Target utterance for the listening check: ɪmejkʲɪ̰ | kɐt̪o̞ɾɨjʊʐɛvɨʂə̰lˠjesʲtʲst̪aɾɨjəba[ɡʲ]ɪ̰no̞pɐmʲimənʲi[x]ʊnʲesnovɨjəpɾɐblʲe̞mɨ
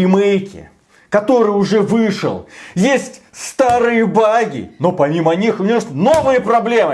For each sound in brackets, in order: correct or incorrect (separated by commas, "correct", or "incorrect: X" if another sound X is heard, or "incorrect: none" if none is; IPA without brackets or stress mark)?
correct, correct